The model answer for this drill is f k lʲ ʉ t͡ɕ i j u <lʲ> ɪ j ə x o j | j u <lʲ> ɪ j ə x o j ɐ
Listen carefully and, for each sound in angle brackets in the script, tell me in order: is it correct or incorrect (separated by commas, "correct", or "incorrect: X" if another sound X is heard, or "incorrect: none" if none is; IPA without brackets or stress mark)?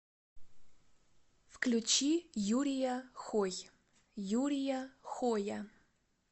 incorrect: ɾʲ, incorrect: ɾʲ